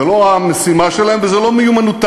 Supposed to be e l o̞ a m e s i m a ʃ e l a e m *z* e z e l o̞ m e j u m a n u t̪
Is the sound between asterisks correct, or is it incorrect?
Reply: incorrect